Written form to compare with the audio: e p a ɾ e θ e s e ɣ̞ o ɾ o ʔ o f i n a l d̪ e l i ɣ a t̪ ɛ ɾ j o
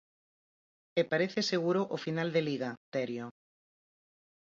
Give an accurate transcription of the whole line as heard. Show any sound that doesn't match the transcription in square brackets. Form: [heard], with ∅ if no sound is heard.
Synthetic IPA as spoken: e p a ɾ e θ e s e ɣ̞ [u] ɾ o ʔ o f i n a l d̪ e l i ɣ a t̪ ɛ ɾ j o